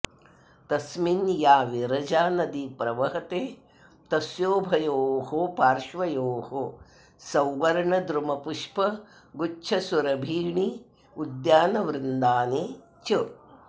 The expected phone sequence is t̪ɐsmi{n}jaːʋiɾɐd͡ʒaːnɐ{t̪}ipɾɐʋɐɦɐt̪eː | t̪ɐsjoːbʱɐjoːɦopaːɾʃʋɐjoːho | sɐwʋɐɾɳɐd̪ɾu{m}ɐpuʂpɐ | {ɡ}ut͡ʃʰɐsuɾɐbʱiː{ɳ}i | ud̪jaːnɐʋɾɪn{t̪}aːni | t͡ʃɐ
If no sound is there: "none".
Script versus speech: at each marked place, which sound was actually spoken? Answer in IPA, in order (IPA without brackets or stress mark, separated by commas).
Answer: n, d̪, m, ɡ, ɳ, d̪